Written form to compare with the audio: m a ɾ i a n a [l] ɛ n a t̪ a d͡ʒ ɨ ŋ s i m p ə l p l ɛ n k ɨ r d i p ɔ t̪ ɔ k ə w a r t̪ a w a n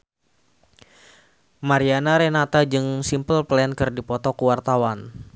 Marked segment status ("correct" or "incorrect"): incorrect